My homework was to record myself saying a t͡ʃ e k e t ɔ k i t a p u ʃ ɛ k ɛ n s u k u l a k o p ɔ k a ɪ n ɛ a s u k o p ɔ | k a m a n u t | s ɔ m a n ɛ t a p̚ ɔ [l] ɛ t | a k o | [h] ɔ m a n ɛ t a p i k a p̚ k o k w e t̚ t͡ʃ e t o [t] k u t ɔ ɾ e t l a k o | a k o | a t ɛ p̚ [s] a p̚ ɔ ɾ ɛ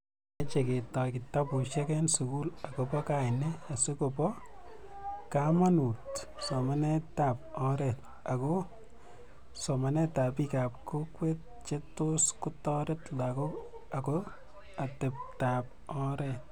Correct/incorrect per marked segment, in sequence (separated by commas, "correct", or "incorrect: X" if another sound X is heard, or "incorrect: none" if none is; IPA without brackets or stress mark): incorrect: ɾ, incorrect: s, incorrect: s, incorrect: t